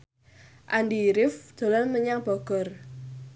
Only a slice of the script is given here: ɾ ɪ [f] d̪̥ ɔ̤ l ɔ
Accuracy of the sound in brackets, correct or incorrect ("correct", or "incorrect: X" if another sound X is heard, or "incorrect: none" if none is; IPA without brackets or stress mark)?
correct